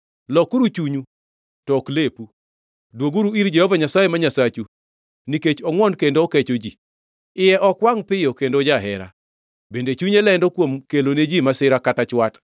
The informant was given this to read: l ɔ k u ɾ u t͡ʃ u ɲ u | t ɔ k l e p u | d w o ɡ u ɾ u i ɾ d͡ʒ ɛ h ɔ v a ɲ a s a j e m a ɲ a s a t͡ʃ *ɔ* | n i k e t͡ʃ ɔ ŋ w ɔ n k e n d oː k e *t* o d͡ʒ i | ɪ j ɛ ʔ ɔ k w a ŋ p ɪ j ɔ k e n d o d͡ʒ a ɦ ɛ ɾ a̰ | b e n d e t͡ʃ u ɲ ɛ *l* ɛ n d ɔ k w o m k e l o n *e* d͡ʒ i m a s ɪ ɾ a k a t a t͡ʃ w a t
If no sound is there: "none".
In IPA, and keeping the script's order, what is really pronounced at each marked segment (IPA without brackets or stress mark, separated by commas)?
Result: u, t͡ʃ, l, e